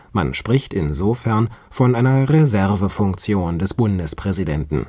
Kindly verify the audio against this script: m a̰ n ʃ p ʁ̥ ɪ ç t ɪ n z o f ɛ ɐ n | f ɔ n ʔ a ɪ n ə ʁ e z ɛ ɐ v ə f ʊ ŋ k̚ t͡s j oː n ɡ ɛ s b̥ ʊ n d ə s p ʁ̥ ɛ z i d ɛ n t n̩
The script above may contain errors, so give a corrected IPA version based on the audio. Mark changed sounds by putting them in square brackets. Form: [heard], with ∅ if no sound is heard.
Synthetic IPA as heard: m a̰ n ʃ p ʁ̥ ɪ ç t ɪ n z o f ɛ ɐ n | f ɔ n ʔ a ɪ n [ɐ] ʁ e z ɛ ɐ v ə f ʊ ŋ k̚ t͡s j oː n [d] ɛ s b̥ ʊ n d ə s p ʁ̥ ɛ z i d ɛ n t n̩